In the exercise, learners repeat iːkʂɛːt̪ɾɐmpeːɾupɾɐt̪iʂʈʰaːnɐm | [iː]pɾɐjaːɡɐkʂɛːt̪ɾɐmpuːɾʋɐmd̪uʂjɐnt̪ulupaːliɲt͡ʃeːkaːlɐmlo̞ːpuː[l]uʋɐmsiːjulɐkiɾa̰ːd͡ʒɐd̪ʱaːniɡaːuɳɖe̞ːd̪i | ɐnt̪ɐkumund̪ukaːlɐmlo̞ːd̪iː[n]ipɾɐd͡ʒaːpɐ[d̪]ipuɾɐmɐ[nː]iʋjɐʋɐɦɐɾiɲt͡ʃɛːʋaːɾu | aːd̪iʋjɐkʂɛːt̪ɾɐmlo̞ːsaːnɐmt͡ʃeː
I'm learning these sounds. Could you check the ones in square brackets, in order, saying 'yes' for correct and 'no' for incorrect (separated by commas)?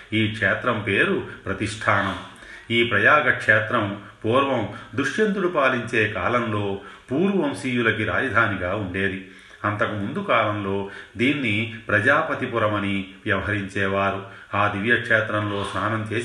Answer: yes, no, no, no, no